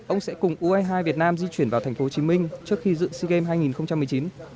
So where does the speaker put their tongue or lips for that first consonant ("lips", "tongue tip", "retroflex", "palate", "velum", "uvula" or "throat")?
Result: throat